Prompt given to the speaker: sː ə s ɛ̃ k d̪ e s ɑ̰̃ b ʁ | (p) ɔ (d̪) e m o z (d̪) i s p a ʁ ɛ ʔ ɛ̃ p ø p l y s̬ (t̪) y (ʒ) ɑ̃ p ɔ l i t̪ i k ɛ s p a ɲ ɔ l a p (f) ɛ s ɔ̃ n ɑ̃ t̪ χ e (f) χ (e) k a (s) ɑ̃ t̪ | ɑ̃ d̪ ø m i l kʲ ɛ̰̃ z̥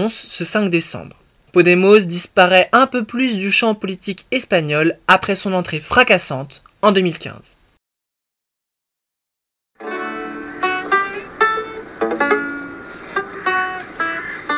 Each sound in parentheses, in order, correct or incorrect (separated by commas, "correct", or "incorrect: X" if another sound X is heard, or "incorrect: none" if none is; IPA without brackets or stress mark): correct, correct, correct, incorrect: d̪, incorrect: ʃ, incorrect: χ, correct, incorrect: a, correct